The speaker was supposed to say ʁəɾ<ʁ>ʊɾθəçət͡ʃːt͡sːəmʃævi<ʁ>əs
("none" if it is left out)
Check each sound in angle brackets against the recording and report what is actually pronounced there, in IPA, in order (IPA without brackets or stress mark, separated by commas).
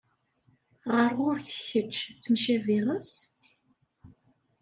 ʁ, ʁ